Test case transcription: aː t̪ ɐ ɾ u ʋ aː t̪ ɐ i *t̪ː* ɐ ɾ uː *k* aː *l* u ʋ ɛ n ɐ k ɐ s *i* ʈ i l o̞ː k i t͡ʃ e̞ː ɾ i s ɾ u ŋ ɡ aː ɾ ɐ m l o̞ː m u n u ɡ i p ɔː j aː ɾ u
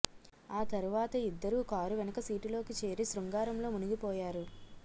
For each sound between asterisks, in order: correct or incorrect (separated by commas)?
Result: incorrect, correct, incorrect, incorrect